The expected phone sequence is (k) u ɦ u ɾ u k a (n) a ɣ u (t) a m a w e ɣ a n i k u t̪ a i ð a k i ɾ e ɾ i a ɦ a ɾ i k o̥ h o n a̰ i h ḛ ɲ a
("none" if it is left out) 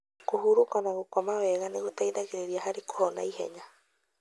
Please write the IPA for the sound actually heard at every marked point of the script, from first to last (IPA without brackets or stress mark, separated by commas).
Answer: k, n, k